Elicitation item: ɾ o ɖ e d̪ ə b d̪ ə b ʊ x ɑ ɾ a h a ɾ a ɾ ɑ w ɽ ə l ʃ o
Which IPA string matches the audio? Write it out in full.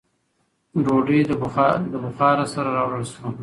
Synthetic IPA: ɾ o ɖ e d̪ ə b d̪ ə b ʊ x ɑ ɾ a s a ɾ a ɾ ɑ w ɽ ə l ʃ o